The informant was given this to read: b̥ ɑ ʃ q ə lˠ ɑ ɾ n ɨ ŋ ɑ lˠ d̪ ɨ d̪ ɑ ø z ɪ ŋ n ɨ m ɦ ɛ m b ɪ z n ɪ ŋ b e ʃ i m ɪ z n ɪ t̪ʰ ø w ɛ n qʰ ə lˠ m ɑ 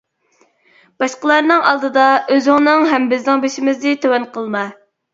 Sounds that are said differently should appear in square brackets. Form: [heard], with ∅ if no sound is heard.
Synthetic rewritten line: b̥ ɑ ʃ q ə lˠ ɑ ɾ n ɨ ŋ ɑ lˠ d̪ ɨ d̪ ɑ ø z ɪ ŋ n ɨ [ŋ] ɦ ɛ m b ɪ z n ɪ ŋ b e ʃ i m ɪ z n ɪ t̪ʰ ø w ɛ n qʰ ə lˠ m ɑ